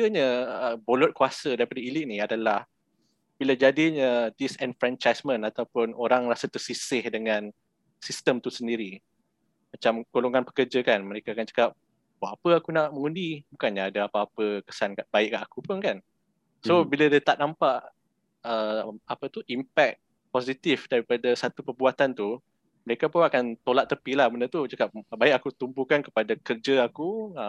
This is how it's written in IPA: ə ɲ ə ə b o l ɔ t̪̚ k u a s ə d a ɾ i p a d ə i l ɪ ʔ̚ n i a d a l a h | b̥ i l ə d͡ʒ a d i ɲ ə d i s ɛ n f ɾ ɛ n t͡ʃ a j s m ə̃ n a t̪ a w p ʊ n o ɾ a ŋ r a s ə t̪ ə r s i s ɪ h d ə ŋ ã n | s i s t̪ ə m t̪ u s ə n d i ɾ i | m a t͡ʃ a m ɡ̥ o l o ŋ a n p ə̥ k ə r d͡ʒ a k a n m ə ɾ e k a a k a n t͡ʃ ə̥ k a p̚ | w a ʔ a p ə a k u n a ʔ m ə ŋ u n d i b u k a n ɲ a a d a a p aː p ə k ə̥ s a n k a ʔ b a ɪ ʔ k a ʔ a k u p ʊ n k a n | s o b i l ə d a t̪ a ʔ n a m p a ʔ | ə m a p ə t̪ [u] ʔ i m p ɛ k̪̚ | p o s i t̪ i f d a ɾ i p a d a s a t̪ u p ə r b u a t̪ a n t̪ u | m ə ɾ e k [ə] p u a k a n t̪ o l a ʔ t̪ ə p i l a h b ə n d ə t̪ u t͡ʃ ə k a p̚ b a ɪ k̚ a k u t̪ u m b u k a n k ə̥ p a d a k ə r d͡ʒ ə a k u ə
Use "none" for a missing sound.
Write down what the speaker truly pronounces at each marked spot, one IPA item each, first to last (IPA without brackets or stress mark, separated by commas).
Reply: u, a